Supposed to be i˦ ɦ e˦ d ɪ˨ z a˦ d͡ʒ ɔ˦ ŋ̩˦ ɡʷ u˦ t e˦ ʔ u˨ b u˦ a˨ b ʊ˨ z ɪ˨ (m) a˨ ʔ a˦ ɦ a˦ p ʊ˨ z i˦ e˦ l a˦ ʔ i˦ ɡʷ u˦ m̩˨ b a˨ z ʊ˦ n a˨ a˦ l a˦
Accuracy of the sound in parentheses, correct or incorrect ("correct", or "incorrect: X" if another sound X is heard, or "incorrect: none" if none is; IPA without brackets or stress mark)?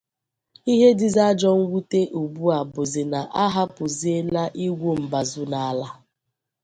incorrect: n